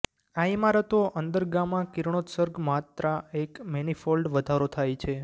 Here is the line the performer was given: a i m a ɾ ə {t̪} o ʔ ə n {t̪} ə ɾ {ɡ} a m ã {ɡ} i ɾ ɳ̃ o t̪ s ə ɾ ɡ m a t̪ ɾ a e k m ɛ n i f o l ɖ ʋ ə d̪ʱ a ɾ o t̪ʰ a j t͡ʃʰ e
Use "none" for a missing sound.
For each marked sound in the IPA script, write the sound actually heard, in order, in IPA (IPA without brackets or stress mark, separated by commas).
t̪, d̪, ɡ, k